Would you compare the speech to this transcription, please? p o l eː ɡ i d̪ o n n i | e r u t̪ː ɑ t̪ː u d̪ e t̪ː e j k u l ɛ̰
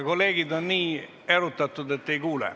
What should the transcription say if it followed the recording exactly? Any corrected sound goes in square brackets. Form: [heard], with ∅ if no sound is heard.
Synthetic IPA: [k] o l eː ɡ i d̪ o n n [iː] | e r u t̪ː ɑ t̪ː u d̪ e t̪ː e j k [uː] l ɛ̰